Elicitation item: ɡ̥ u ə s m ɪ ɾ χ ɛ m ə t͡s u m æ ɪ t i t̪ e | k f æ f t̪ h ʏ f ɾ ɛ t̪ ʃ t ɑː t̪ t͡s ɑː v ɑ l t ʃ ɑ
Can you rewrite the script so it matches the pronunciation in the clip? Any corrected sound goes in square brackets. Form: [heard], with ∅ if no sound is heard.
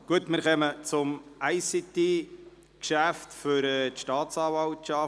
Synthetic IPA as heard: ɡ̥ u ə [t] m ɪ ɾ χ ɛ m ə t͡s [ʊ] m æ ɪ [s] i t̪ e | k [ʃ] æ f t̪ [f] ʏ [∅] ɾ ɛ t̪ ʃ t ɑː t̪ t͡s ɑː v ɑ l t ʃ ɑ

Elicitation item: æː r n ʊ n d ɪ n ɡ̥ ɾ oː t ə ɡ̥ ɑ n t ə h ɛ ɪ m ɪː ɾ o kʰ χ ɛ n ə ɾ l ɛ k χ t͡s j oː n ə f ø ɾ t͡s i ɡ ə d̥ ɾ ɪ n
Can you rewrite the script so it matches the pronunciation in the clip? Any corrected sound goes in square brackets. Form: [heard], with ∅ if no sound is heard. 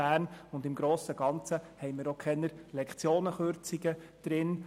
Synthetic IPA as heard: æː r n ʊ n d ɪ [m] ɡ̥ ɾ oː [s] ə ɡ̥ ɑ n [t͡s] ə h ɛ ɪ m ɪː ɾ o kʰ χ ɛ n ə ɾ l ɛ k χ t͡s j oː n ə [χ] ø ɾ t͡s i ɡ ə d̥ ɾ ɪ n

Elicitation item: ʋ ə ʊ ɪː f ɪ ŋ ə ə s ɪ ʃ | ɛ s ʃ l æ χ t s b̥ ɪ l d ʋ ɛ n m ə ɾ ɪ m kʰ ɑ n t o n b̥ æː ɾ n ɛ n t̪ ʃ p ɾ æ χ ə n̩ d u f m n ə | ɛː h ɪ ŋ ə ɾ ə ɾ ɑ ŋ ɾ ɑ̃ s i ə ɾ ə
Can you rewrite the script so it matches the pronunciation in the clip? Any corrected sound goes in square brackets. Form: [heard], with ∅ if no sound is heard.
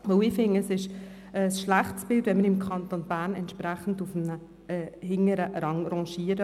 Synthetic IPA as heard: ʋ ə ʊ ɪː f ɪ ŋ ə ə s ɪ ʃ | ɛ s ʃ l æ χ t s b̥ ɪ l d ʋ ɛ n m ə ɾ ɪ m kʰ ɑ n t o n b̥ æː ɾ n ɛ n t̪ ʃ p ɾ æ χ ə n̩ d u f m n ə | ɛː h ɪ ŋ ə ɾ ə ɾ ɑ ŋ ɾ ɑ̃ [ʃ] i ə ɾ ə

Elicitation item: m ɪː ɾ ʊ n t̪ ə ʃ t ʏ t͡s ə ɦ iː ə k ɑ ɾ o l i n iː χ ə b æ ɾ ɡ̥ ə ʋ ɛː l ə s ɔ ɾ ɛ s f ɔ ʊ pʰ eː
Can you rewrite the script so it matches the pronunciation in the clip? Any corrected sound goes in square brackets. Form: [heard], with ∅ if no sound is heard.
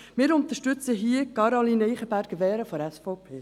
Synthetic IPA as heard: m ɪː ɾ ʊ n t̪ ə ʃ t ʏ t͡s ə ɦ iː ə k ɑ ɾ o l i n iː χ ə b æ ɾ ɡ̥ ə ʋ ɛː [ɾ] ə [f] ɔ ɾ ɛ s f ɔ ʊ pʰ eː

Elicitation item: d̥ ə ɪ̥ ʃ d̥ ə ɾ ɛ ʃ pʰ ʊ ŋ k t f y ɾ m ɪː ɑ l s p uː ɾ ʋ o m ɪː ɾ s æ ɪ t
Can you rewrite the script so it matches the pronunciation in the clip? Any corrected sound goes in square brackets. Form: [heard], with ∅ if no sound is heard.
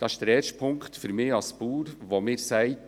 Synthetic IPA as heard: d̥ [ɑ] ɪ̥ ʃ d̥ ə ɾ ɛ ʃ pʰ ʊ ŋ k t f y ɾ m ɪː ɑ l s p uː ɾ ʋ o m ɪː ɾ s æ ɪ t

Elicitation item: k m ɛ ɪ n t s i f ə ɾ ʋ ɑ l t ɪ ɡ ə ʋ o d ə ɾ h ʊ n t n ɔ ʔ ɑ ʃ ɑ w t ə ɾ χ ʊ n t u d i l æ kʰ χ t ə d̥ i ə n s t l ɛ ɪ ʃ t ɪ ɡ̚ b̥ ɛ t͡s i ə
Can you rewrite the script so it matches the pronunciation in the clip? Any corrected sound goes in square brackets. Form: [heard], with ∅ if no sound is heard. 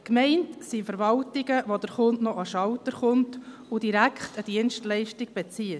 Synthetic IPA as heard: k m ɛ ɪ n t s i f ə ɾ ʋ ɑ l t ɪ ɡ ə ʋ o d ə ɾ [χ] ʊ n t n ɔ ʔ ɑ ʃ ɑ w t ə ɾ χ ʊ n t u d i [ɾ] æ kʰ χ t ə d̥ i ə n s t l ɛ ɪ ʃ t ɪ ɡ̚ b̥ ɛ t͡s i ə

